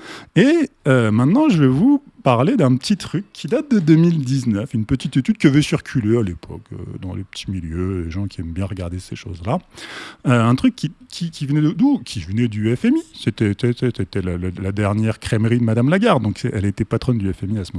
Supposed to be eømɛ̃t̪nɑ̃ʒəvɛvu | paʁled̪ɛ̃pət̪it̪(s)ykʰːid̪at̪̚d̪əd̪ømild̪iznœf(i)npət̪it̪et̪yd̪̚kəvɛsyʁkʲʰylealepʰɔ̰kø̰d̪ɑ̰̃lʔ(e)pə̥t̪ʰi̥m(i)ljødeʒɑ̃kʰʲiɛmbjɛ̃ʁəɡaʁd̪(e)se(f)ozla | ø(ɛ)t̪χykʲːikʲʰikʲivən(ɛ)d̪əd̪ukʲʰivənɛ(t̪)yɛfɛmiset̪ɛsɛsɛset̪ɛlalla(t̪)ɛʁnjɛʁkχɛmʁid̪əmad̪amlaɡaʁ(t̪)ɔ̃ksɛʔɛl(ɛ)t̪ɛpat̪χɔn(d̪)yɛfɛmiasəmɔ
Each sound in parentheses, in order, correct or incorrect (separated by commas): incorrect, incorrect, correct, correct, correct, incorrect, incorrect, correct, incorrect, incorrect, incorrect, incorrect, correct